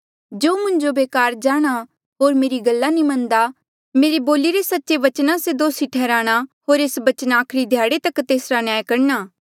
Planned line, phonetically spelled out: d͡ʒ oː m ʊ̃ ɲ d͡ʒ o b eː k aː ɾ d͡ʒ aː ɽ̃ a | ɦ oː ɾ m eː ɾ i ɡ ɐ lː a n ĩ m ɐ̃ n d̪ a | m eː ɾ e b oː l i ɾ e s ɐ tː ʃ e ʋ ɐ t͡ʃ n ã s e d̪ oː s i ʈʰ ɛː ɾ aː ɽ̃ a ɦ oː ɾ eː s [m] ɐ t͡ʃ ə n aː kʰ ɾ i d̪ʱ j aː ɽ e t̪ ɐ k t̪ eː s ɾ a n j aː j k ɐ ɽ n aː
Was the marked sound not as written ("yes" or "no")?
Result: yes